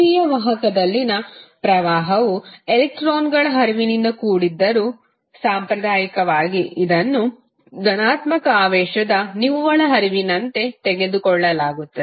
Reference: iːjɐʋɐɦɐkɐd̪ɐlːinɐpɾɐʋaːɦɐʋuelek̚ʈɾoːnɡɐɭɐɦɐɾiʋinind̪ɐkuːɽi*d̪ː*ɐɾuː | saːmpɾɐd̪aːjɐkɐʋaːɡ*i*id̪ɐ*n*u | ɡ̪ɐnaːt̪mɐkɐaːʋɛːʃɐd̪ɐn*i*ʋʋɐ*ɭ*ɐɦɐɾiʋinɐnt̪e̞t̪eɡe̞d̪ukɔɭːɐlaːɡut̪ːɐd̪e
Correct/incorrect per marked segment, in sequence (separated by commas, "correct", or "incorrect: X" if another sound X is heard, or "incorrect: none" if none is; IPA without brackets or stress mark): correct, correct, incorrect: nː, correct, correct